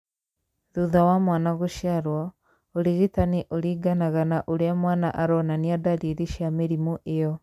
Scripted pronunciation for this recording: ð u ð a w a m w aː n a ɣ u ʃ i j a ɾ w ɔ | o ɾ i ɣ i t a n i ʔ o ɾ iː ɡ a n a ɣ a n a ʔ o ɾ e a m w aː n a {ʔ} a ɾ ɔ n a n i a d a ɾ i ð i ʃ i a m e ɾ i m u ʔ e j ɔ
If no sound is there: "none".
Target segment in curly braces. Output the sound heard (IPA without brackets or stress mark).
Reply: ʔ